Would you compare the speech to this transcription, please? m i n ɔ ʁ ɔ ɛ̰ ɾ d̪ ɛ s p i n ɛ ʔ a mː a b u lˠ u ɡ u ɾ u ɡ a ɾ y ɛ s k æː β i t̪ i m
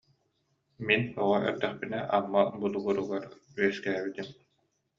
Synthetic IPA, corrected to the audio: m i n ɔ ʁ ɔ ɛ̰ ɾ d̪ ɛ χ p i n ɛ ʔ a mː a b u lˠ u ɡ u ɾ u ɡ a ɾ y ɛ s k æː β i t̪ i m